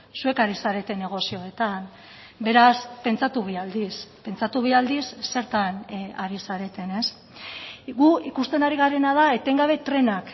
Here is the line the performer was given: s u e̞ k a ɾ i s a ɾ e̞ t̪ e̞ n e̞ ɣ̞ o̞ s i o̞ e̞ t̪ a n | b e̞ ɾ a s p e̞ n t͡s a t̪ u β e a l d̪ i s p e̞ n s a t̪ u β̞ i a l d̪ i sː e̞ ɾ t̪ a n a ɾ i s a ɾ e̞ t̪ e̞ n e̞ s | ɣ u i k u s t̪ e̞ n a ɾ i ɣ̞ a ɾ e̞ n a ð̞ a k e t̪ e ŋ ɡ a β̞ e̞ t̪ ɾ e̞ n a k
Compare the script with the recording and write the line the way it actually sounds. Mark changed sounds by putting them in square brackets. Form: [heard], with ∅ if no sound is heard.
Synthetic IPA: s u e̞ k a ɾ i s a ɾ e̞ t̪ e̞ n e̞ ɣ̞ o̞ s i o̞ e̞ t̪ a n | b e̞ ɾ a s p e̞ n t͡s a t̪ u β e a l d̪ i s p e̞ n [t͡s] a t̪ u β̞ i a l d̪ i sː e̞ ɾ t̪ a n a ɾ i s a ɾ e̞ t̪ e̞ n e̞ s | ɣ u i k u s t̪ e̞ n a ɾ i ɣ̞ a ɾ e̞ n a ð̞ a [∅] e t̪ e ŋ ɡ a β̞ e̞ t̪ ɾ e̞ n a k